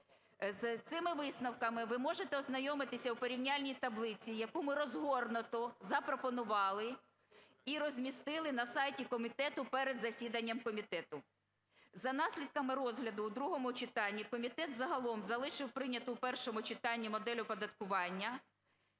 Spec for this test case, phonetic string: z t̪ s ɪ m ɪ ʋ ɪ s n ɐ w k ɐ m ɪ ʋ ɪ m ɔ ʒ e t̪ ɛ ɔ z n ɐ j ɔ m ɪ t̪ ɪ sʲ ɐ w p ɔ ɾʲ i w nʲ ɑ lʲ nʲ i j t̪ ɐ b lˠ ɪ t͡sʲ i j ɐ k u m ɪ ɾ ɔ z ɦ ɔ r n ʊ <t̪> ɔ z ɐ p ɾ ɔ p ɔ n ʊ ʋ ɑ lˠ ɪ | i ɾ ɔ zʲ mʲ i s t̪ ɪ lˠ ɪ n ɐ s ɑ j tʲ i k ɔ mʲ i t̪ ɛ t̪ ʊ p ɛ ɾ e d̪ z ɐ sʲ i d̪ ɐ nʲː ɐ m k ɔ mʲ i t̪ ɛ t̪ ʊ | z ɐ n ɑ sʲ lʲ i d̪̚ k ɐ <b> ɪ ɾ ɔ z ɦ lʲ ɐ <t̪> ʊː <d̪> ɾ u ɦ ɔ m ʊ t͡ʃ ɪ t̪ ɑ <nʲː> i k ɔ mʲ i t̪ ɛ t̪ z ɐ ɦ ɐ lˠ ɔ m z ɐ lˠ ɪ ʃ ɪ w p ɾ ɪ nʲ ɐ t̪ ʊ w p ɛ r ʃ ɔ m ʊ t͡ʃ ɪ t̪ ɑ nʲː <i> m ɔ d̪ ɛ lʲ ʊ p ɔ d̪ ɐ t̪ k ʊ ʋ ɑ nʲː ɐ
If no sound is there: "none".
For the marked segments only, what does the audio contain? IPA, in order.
t̪, m, d̪, d̪, nʲː, i

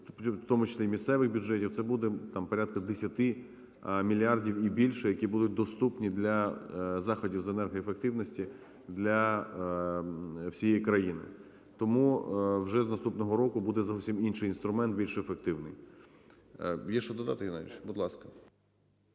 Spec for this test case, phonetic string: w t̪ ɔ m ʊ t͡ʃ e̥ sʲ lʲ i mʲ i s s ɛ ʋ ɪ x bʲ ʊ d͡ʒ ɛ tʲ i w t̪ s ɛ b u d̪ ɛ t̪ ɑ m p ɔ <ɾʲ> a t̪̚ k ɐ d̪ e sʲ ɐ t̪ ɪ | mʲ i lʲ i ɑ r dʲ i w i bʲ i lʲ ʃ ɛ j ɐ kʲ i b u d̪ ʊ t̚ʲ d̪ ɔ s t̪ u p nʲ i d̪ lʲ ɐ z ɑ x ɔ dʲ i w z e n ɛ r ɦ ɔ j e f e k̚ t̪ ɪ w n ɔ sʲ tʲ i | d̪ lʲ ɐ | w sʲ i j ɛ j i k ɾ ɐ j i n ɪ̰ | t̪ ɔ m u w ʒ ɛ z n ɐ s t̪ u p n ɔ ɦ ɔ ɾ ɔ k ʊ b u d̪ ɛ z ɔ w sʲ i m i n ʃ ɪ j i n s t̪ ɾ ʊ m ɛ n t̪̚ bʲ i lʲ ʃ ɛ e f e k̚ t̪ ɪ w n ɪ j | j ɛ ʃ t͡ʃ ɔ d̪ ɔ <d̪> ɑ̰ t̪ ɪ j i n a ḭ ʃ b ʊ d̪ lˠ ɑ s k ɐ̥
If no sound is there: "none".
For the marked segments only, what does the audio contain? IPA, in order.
ɾʲ, d̪

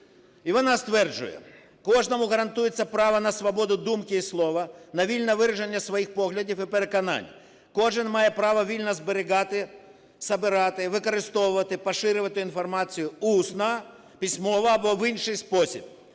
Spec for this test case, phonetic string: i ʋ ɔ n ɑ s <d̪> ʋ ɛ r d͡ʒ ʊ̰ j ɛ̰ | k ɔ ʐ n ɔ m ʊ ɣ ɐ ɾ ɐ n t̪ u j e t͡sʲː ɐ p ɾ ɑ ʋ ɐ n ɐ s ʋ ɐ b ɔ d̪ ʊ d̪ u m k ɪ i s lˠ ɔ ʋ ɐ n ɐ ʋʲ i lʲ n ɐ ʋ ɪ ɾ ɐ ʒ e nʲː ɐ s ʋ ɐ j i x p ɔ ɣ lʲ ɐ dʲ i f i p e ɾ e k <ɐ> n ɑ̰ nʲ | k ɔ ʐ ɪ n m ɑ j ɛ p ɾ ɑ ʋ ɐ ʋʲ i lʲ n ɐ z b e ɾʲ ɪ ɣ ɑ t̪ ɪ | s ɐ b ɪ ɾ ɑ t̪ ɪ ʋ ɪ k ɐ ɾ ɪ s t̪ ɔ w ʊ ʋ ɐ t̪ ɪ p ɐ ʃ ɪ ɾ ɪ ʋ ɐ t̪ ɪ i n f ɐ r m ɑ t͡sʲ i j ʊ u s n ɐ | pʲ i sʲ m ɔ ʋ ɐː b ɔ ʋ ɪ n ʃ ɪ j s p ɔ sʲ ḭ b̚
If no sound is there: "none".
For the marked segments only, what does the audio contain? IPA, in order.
t̪, ɐ

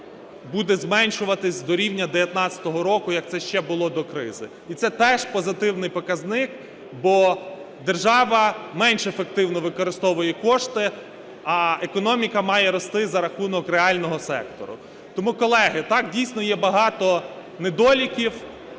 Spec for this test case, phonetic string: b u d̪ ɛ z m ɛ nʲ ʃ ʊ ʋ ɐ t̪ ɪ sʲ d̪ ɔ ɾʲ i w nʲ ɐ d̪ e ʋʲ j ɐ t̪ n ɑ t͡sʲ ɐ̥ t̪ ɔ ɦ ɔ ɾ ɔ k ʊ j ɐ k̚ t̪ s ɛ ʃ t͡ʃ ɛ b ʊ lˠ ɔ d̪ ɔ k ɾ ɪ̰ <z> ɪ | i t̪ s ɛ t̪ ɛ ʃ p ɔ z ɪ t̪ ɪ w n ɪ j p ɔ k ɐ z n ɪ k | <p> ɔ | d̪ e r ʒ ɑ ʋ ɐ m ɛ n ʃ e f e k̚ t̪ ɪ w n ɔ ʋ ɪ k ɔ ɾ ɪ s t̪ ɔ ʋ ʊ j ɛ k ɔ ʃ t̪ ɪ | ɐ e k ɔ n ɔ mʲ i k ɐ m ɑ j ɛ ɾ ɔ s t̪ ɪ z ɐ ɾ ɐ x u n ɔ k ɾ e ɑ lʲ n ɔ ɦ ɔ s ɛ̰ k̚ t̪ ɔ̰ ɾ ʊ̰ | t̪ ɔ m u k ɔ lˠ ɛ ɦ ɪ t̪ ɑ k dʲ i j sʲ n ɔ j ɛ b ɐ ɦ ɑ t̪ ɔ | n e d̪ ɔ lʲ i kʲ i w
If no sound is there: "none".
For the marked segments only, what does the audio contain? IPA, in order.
z, b

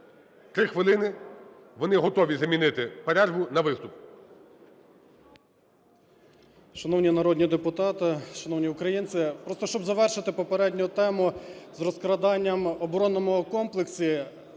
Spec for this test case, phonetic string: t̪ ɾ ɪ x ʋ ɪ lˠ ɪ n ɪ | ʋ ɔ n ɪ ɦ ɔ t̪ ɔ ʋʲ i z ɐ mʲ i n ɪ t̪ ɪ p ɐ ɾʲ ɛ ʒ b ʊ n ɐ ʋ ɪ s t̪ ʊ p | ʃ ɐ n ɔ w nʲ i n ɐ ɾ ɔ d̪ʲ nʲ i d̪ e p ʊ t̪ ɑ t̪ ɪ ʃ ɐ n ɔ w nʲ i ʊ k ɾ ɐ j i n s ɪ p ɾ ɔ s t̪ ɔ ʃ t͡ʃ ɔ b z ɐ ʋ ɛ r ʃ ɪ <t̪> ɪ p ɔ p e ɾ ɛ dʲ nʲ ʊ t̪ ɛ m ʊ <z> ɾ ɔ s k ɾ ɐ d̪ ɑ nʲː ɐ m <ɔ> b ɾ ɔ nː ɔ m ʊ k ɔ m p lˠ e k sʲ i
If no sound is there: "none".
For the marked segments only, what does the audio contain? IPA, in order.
t̪, z, ɔ

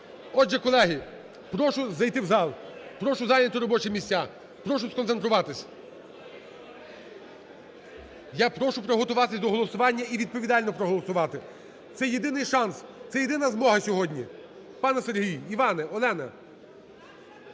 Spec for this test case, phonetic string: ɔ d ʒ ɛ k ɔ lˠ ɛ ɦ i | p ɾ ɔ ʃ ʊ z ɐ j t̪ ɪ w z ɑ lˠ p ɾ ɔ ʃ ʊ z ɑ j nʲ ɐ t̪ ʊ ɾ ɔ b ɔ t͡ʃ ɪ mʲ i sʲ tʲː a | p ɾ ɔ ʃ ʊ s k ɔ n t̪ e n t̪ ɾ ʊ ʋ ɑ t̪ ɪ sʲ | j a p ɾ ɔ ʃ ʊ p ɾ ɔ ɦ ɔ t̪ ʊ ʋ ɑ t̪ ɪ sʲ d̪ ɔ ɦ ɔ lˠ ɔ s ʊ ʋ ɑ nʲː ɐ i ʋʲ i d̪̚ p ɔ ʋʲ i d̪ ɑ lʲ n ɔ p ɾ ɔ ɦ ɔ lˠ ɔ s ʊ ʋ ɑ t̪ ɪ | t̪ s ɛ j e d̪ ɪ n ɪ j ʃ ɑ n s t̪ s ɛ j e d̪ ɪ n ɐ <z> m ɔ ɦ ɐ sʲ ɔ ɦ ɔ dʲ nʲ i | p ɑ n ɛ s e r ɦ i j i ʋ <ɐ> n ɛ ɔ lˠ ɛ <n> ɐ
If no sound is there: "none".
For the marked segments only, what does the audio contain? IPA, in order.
z, ɑ, n

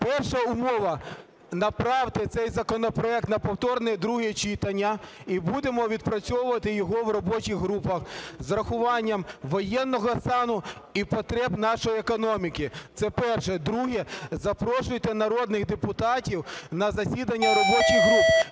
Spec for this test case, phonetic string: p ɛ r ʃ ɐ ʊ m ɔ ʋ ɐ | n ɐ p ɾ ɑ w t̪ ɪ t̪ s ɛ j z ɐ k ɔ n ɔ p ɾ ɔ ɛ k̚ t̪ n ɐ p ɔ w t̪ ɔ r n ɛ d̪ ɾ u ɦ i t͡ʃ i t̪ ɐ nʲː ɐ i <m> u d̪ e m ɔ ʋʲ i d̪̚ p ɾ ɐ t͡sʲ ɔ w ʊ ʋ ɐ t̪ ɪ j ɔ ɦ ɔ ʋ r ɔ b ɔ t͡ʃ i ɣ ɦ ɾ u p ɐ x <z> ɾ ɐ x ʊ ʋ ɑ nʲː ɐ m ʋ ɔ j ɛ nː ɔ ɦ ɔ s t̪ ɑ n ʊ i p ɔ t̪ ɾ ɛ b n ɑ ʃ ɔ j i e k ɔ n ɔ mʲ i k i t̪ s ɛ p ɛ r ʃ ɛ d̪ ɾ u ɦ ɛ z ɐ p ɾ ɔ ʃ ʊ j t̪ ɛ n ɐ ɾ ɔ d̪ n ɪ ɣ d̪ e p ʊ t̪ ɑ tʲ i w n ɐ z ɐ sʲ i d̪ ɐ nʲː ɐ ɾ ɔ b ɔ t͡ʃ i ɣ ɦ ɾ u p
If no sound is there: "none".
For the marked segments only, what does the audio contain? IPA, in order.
b, z

